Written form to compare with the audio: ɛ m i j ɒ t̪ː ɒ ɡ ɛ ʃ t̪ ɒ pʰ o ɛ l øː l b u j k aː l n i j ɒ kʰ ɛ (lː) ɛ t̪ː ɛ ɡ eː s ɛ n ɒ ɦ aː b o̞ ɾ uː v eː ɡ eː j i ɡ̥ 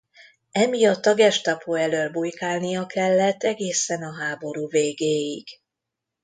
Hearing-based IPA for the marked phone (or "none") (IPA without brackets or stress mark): lː